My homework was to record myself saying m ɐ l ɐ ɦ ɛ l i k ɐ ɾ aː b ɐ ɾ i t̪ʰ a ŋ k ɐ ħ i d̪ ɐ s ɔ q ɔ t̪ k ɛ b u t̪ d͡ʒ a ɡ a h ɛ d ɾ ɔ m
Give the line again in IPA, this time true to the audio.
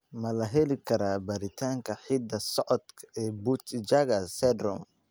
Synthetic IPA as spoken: m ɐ l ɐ ɦ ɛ l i k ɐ ɾ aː b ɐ ɾ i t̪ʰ a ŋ k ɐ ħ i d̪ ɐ s ɔ ʔ ɔ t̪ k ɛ b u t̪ d͡ʒ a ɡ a s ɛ d ɾ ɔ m